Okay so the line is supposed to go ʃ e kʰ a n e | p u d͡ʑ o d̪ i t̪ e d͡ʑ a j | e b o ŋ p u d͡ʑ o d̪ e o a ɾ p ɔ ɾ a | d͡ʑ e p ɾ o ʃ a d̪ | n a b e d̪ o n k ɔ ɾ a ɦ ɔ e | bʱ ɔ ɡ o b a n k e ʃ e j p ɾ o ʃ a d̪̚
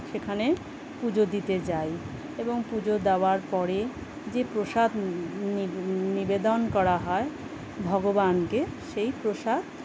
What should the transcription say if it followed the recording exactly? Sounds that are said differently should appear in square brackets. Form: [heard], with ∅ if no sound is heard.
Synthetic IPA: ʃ e kʰ a n e | p u d͡ʑ o d̪ i t̪ e d͡ʑ a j | e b o ŋ p u d͡ʑ o d̪ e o a ɾ p ɔ ɾ [e] | d͡ʑ e p ɾ o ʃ a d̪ | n [i] b e d̪ o n k ɔ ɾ a ɦ ɔ e | bʱ ɔ ɡ o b a n k e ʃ e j p ɾ o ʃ a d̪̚